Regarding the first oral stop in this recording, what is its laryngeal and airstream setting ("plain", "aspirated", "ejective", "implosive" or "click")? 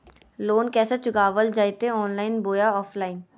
plain